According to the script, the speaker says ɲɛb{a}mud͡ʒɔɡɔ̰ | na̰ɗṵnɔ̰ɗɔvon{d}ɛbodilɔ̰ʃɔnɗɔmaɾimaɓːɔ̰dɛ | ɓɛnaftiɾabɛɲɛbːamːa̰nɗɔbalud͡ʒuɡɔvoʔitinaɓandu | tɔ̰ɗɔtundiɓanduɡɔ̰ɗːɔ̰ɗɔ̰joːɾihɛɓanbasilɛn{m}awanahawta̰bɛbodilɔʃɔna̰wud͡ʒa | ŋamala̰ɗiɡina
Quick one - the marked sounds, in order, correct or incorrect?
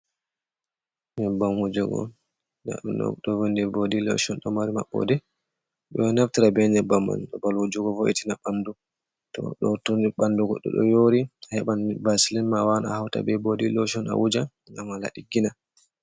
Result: correct, correct, correct

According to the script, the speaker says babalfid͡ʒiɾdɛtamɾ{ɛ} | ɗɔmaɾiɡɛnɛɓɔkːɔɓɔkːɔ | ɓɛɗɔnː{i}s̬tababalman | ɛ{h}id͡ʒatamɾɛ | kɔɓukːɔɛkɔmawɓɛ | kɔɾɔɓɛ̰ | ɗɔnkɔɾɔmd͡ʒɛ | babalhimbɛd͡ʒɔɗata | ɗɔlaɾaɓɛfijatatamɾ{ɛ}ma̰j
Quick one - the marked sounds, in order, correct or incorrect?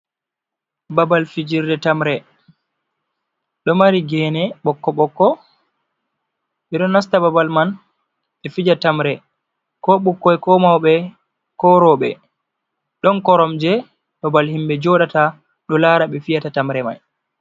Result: correct, incorrect, incorrect, correct

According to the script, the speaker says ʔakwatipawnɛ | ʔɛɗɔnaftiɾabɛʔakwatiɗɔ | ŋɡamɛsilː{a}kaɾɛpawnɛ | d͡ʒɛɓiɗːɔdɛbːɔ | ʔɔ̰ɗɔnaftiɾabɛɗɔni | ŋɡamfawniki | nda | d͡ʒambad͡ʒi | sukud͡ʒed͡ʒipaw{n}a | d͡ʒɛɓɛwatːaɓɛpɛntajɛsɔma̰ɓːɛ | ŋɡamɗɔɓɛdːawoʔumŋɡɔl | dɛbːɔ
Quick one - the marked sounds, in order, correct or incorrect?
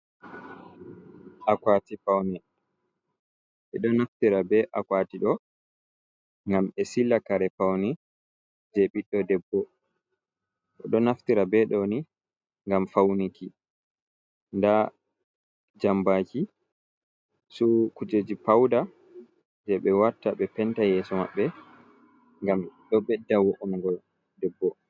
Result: correct, incorrect

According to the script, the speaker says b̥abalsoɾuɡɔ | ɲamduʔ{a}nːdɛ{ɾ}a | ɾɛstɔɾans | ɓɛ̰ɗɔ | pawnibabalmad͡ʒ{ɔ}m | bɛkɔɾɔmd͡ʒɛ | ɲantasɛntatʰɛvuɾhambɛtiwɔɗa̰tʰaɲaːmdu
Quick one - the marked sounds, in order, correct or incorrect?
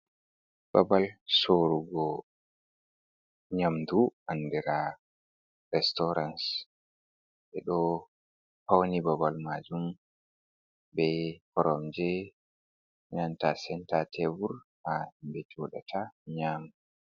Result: correct, correct, incorrect

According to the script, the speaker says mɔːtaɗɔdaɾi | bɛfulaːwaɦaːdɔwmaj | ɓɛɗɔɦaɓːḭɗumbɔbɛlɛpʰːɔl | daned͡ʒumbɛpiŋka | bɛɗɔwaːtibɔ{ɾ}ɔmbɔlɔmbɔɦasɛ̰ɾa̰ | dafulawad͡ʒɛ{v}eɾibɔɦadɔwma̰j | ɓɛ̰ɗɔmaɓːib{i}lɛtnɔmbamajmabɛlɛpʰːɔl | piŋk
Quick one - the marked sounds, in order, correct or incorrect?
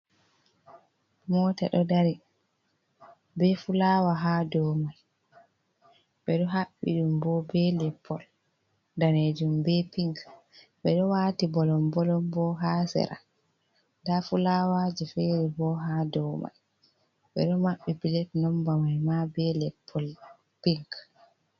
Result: incorrect, incorrect, correct

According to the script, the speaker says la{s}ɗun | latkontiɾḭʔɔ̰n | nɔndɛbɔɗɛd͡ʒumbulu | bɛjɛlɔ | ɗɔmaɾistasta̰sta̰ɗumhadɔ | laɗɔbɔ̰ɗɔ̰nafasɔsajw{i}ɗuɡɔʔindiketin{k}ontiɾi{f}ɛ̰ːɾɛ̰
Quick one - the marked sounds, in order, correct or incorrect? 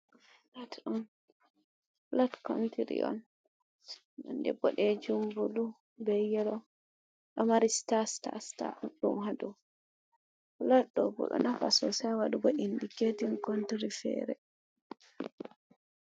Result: incorrect, incorrect, correct, correct

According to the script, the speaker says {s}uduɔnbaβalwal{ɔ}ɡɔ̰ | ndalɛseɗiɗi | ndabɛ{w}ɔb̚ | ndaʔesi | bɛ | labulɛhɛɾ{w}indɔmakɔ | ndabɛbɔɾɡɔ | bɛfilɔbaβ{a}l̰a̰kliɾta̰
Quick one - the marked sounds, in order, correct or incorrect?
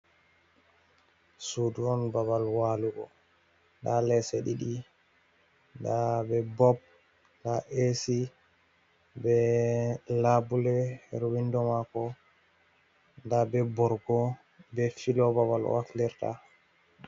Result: correct, incorrect, incorrect, correct, correct

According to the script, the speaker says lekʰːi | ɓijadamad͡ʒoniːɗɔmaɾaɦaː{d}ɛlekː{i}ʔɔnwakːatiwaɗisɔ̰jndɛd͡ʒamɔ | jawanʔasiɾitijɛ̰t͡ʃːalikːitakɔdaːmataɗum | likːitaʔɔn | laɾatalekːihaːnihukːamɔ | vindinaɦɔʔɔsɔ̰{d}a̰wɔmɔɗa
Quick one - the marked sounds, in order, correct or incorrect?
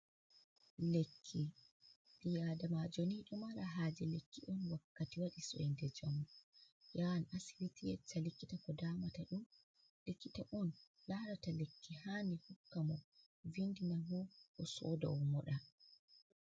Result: incorrect, correct, correct

